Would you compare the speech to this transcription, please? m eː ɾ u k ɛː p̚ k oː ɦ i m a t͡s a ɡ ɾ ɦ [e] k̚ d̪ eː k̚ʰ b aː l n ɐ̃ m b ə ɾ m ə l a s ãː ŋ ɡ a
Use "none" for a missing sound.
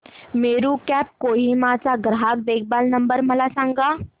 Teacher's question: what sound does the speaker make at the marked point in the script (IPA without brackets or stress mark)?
a